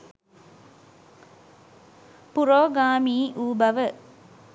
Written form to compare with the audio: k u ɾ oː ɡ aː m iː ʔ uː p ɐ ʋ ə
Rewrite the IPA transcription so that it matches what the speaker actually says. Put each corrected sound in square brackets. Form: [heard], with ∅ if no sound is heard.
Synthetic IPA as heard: [p] u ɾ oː ɡ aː m iː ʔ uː [b] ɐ ʋ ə